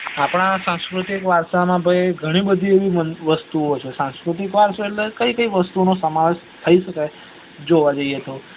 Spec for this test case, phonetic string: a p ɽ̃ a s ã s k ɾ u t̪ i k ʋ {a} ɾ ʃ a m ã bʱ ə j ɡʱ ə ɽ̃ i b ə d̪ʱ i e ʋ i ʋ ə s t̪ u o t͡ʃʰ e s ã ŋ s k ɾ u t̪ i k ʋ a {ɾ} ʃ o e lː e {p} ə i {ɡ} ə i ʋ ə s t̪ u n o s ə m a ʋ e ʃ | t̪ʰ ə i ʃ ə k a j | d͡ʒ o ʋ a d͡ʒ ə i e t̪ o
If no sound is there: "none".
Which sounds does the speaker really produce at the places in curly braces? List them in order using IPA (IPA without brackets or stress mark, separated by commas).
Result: a, ɾ, k, k